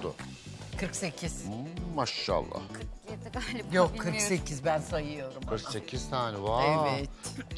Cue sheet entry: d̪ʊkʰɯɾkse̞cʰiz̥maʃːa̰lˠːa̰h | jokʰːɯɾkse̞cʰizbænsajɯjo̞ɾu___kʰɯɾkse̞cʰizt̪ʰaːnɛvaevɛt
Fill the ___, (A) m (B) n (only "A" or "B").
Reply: A